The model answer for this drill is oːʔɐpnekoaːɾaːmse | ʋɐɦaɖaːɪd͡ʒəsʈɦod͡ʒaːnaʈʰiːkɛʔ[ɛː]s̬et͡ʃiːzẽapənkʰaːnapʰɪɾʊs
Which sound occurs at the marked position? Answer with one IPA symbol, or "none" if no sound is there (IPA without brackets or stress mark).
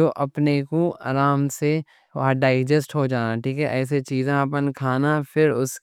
ɛː